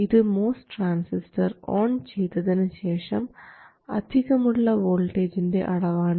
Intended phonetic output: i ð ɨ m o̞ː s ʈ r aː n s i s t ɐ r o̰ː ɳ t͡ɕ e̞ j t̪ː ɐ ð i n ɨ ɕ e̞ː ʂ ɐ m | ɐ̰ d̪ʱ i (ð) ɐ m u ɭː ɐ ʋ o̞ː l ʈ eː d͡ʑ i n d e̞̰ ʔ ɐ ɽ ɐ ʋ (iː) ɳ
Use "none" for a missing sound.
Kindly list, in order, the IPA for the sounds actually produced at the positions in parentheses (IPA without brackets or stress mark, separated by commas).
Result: ɣ, aː